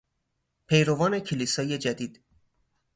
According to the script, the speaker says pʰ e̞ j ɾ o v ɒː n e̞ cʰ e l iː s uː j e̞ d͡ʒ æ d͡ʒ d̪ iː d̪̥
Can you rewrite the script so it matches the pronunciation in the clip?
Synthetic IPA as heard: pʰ e̞ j ɾ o v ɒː n e̞ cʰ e l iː s ɒː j e̞ d͡ʒ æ d̪ iː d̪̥